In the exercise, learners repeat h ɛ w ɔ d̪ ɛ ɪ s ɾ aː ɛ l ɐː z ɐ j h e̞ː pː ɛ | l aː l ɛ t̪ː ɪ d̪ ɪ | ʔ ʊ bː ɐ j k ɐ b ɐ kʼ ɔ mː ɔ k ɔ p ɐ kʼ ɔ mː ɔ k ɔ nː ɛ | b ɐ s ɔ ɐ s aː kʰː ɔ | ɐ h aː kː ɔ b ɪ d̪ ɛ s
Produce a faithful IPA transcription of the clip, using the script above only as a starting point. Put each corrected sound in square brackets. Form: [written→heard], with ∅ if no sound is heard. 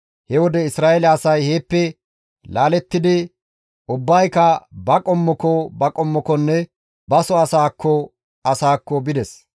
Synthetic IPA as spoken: h ɛ w ɔ d̪ ɛ ɪ s ɾ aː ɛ l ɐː [z→s] ɐ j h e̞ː pː ɛ | l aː l ɛ t̪ː ɪ d̪ ɪ | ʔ ʊ bː ɐ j k ɐ b ɐ kʼ ɔ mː ɔ k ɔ [p→b] ɐ kʼ ɔ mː ɔ k ɔ nː ɛ | b ɐ s ɔ ɐ s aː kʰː ɔ | ɐ [h→s] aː kː ɔ b ɪ d̪ ɛ s

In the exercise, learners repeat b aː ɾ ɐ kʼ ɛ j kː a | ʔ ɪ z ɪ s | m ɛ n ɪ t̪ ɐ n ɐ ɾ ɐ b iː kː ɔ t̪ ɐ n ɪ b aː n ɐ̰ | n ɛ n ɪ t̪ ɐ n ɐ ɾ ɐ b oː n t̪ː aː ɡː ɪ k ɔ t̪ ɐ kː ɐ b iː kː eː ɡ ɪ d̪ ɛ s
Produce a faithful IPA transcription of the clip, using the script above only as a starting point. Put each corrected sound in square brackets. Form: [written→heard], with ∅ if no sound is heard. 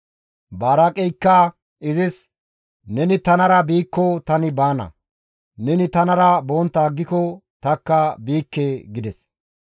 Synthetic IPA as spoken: b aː ɾ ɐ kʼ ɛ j kː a | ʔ ɪ z ɪ s | [m→n] ɛ n ɪ t̪ ɐ n ɐ ɾ ɐ b iː kː ɔ t̪ ɐ n ɪ b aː n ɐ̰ | n ɛ n ɪ t̪ ɐ n ɐ ɾ ɐ b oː n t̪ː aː ɡː ɪ k ɔ t̪ ɐ kː ɐ b iː kː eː ɡ ɪ d̪ ɛ s

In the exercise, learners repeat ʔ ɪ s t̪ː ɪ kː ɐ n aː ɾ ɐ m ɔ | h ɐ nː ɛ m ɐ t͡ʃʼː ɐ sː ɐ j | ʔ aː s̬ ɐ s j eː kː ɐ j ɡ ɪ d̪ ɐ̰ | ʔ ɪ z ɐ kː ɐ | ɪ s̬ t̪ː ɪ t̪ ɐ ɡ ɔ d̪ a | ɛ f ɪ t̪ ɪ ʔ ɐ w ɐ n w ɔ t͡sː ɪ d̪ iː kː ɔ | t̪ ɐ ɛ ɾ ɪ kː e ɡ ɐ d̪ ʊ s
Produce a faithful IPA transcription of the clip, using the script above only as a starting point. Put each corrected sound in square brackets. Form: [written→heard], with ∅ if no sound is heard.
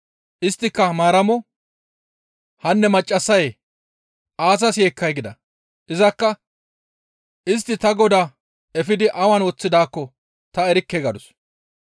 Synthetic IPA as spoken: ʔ ɪ s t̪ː ɪ kː ɐ [n→m] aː ɾ ɐ m ɔ | h ɐ nː ɛ m ɐ t͡ʃʼː ɐ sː ɐ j | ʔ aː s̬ ɐ s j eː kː ɐ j ɡ ɪ d̪ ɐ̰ | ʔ ɪ z ɐ kː ɐ | ɪ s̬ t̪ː ɪ t̪ ɐ ɡ ɔ d̪ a | ɛ f ɪ [t̪→d̪] ɪ ʔ ɐ w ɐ n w ɔ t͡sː ɪ d̪ [iː→aː] kː ɔ | t̪ ɐ ɛ ɾ ɪ kː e ɡ ɐ d̪ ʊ s

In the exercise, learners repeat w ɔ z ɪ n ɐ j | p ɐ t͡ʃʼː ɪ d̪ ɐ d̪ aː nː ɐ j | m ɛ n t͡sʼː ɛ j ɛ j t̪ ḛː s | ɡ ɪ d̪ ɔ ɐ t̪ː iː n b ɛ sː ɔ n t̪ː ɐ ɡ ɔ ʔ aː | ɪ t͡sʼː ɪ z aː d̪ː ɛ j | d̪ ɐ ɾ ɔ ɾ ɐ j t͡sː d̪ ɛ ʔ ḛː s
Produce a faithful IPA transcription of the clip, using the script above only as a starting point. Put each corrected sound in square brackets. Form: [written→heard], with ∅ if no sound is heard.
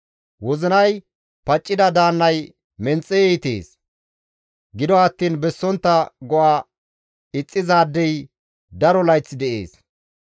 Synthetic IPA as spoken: w ɔ z ɪ n ɐ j | p ɐ t͡ʃʼː ɪ d̪ ɐ d̪ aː nː ɐ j | m ɛ n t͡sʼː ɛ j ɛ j t̪ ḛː s | ɡ ɪ d̪ ɔ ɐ t̪ː iː n b ɛ sː ɔ n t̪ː ɐ ɡ ɔ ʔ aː | ɪ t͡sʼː ɪ z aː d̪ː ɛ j | d̪ ɐ ɾ ɔ [ɾ→l] ɐ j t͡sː d̪ ɛ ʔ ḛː s

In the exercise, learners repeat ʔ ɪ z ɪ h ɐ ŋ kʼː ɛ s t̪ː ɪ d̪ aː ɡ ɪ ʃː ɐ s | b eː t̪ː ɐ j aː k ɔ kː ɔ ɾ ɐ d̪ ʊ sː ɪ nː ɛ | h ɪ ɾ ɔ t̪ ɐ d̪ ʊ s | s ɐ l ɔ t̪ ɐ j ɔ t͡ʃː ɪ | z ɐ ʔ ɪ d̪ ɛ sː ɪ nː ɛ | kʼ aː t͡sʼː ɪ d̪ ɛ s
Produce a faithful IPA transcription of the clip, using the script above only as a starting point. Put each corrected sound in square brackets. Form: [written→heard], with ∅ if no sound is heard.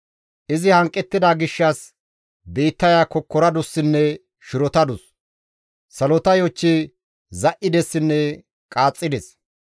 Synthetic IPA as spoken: ʔ ɪ z ɪ h ɐ ŋ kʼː ɛ [s→∅] t̪ː ɪ d̪ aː ɡ ɪ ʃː ɐ s | b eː t̪ː ɐ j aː k ɔ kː ɔ ɾ ɐ d̪ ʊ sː ɪ nː ɛ | [h→ʃ] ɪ ɾ ɔ t̪ ɐ d̪ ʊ s | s ɐ l ɔ t̪ ɐ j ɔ t͡ʃː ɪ | z ɐ ʔ ɪ d̪ ɛ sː ɪ nː ɛ | kʼ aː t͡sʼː ɪ d̪ ɛ s

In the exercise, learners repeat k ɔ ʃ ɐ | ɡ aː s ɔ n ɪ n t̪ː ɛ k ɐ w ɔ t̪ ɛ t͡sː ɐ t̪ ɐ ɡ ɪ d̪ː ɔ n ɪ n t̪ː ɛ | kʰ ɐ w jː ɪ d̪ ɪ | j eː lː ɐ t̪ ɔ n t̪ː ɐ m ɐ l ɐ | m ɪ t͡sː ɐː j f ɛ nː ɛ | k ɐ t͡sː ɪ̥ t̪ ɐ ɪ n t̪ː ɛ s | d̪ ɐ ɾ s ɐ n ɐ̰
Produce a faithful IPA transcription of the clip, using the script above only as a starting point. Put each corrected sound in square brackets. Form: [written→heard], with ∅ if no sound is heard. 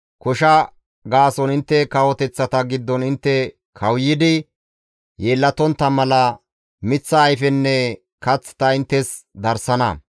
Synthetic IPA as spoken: k ɔ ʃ ɐ | ɡ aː s ɔ n ɪ n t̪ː ɛ k ɐ w ɔ t̪ ɛ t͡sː ɐ t̪ ɐ ɡ ɪ d̪ː ɔ n ɪ n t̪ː ɛ | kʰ ɐ w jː ɪ d̪ ɪ | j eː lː ɐ t̪ ɔ n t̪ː ɐ m ɐ l ɐ | m ɪ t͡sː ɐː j f ɛ nː ɛ | k ɐ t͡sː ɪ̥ t̪ ɐ ɪ n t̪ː ɛ s | d̪ ɐ ɾ s ɐ n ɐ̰

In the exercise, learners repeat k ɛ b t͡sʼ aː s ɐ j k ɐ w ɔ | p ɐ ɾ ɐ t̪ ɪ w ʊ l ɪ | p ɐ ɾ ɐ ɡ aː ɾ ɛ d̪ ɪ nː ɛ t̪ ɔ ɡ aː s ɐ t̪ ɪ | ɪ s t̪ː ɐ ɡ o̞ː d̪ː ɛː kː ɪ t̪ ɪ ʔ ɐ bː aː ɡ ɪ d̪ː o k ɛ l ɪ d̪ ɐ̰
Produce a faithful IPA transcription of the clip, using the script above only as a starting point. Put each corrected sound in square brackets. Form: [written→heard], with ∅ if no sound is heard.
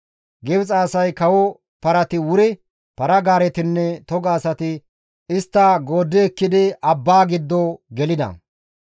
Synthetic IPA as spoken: [k→ɡ] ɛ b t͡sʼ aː s ɐ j k ɐ w ɔ | p ɐ ɾ ɐ t̪ ɪ w ʊ [l→ɾ] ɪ | p ɐ ɾ ɐ ɡ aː ɾ ɛ [d̪→t̪] ɪ nː ɛ t̪ ɔ ɡ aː s ɐ t̪ ɪ | ɪ s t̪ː ɐ ɡ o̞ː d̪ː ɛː kː ɪ [t̪→d̪] ɪ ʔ ɐ bː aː ɡ ɪ d̪ː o [k→ɡ] ɛ l ɪ d̪ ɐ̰

